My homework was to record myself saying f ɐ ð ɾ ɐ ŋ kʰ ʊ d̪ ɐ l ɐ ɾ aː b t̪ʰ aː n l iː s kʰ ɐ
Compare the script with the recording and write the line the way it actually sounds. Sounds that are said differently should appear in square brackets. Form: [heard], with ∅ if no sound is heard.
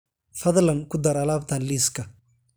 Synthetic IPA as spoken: f ɐ ð [l] ɐ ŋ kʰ ʊ d̪ ɐ [ɾ] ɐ [l] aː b t̪ʰ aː n l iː s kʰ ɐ